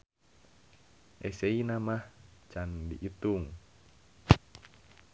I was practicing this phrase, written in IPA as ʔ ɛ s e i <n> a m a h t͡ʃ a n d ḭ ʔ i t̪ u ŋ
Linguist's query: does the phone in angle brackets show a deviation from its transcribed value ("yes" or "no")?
no